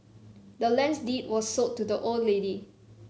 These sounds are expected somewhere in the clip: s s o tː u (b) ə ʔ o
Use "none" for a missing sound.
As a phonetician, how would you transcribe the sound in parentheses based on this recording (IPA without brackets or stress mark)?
d